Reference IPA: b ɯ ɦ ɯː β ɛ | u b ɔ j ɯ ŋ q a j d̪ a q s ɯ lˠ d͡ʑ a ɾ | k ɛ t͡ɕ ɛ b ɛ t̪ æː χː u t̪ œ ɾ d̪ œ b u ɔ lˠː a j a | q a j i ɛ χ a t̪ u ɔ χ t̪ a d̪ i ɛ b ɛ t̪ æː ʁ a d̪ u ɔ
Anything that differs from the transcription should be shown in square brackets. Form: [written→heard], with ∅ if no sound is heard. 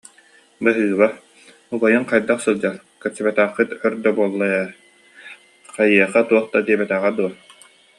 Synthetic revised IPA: b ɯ ɦ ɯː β [ɛ→a] | u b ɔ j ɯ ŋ q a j d̪ a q s ɯ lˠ d͡ʑ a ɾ | k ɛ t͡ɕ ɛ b ɛ t̪ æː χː [u→ɯ] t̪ œ ɾ d̪ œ b u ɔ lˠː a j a | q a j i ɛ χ a t̪ u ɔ χ t̪ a d̪ i ɛ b ɛ t̪ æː ʁ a d̪ u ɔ